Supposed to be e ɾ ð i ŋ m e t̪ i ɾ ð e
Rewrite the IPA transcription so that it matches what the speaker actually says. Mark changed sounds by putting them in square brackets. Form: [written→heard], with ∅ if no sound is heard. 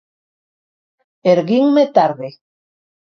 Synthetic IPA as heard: e ɾ [ð→ɣ] i ŋ m e t̪ [i→a] ɾ ð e